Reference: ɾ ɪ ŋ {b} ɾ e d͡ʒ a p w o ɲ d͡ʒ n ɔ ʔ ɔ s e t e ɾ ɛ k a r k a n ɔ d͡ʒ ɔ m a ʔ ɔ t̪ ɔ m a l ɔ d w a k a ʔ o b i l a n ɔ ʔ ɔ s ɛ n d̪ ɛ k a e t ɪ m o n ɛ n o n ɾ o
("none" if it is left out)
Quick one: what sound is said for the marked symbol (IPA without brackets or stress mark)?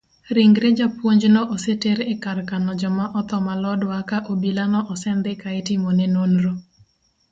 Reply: ɡ